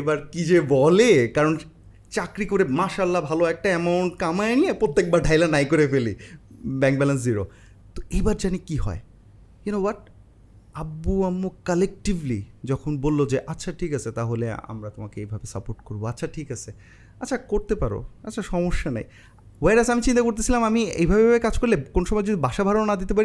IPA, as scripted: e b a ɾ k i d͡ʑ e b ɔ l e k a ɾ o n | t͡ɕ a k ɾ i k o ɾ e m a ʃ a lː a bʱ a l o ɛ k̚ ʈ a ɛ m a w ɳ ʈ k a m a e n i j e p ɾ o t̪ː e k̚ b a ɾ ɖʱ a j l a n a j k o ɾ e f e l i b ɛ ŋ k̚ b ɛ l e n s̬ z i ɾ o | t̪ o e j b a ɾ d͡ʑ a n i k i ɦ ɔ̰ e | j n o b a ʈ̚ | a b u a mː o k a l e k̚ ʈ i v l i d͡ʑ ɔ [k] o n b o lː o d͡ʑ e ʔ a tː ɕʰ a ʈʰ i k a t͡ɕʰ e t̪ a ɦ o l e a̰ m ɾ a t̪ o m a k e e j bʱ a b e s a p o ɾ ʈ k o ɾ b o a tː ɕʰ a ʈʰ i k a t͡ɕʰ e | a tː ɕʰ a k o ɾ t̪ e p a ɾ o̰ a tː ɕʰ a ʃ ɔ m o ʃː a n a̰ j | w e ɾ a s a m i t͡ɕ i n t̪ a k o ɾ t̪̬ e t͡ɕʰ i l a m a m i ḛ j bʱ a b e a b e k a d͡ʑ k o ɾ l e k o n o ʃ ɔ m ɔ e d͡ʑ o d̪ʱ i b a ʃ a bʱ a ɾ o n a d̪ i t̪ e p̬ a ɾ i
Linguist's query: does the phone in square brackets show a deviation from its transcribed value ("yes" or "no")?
yes